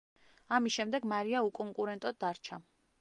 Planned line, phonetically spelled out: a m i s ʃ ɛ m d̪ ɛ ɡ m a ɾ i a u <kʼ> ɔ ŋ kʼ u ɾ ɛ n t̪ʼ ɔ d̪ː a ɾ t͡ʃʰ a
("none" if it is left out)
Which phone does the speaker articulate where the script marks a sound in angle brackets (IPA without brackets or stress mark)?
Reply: kʼ